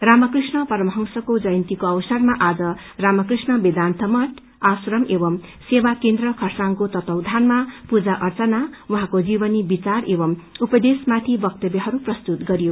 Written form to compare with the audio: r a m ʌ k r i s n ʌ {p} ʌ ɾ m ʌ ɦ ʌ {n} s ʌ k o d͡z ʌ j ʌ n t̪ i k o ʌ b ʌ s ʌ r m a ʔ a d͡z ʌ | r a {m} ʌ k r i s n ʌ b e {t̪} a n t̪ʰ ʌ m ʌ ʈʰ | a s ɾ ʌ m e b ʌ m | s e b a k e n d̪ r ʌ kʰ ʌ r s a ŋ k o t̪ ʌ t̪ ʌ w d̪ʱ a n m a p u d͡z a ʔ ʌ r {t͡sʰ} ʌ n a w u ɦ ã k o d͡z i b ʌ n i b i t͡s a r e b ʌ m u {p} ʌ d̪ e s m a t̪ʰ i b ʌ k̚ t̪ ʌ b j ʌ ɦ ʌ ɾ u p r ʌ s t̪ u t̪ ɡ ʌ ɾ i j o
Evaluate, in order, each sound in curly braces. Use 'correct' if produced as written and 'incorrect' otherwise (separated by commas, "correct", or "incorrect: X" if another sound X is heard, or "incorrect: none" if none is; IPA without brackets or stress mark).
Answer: correct, incorrect: ŋ, correct, incorrect: d̪, incorrect: t͡s, correct